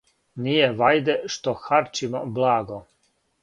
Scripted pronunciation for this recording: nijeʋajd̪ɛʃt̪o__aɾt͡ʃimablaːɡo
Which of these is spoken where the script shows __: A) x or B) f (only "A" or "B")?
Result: A